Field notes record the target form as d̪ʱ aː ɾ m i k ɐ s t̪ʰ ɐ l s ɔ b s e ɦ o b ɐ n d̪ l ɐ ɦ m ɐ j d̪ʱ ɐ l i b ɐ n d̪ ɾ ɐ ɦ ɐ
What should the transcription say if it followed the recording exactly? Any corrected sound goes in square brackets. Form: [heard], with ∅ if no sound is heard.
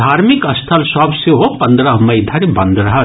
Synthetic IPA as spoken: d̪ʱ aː ɾ m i k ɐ s t̪ʰ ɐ l s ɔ b s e ɦ o [p] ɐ n d̪ [ɾ] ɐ ɦ m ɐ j d̪ʱ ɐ [ɾ] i b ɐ n d̪ ɾ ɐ ɦ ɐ